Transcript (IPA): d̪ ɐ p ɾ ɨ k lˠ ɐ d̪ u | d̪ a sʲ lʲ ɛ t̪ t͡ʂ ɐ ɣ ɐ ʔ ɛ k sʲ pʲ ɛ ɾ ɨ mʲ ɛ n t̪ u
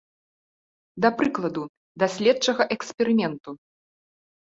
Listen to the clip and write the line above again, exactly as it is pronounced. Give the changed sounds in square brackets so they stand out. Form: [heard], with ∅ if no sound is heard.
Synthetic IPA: d̪ ɐ p ɾ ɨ k lˠ ɐ d̪ u | d̪ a sʲ lʲ ɛ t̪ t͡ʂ ɐ ɣ ɐ ʔ ɛ k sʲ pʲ ɛ ɾ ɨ mʲ ɛ n t̪ u